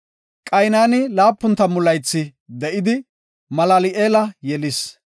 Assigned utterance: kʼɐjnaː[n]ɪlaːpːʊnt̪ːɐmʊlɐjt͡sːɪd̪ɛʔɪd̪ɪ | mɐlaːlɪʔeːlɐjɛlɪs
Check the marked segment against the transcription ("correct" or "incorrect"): correct